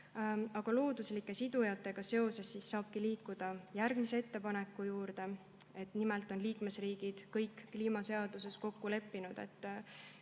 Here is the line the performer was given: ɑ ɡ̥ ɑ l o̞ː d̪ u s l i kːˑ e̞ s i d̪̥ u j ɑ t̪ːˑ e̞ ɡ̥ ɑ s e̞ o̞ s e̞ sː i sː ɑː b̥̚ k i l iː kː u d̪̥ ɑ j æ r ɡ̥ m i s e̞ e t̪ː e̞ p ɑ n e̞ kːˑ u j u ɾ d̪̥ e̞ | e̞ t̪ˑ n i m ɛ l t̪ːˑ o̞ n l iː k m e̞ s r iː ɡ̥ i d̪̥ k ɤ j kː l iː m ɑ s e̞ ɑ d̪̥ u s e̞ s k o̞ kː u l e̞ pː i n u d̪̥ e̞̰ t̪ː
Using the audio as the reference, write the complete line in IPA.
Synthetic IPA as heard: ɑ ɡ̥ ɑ l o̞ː d̪ u s l i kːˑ e̞ s i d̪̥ u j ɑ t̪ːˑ e̞ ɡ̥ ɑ s e̞ o̞ s e̞ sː i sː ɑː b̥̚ k i l iː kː u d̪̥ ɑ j æ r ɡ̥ m i s e̞ e t̪ː e̞ p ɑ n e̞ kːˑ u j uː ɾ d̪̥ e̞ | e̞ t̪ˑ n i m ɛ l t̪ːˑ o̞ n l iː k m e̞ s r iː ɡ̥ i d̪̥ k ɤ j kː l iː m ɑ s e̞ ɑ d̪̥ u s e̞ s k o̞ kː u l e̞ pː i n u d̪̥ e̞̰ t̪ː

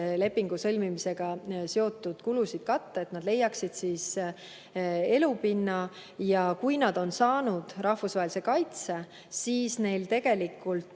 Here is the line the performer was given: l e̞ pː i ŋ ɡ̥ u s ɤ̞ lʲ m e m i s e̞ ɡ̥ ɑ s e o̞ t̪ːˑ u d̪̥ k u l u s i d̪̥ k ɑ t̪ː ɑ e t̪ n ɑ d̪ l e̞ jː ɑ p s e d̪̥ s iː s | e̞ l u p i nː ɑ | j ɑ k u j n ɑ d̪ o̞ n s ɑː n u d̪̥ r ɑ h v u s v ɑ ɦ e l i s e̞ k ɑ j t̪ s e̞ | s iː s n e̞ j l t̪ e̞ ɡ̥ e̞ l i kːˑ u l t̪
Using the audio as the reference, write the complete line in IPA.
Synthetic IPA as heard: l e̞ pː i ŋ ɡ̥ u s ɤ̞ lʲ m i m i s e̞ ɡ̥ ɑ s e o̞ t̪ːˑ u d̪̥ k u l u s i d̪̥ k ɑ t̪ː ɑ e t̪ n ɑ d̪ l e̞ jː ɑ k s i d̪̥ s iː s | e̞ l u p i nː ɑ | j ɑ k u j n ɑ d̪ o̞ n s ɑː n u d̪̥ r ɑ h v u s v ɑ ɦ e l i s e̞ k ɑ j t̪ s e̞ | s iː s n e̞ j l t̪ e̞ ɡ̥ e̞ l i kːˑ u l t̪

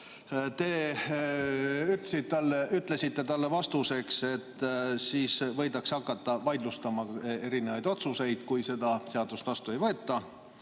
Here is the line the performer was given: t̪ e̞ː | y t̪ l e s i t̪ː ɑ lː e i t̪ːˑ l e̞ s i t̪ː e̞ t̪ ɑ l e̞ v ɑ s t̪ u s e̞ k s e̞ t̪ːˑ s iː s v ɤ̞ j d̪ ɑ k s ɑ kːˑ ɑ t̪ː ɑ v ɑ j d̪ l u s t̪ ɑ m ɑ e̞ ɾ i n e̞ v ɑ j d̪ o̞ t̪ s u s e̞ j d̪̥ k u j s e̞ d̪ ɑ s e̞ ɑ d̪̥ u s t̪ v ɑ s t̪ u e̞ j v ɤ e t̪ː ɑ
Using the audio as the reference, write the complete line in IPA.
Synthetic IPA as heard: t̪ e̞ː | y t̪ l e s i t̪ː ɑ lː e y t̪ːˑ l e̞ s i t̪ː e̞ t̪ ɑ lː e̞ v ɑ s t̪ u s e̞ k s e̞ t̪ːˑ s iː s v ɤ̞ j d̪ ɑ k s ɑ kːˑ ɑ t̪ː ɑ v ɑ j d̪ l u s t̪ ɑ m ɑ e̞ ɾ i n e̞ v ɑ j d̪ o̞ t̪ s u s e̞ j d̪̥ k u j s e̞ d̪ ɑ s e̞ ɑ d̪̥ u s t̪ v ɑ s t̪ u e̞ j v ɤ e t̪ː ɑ

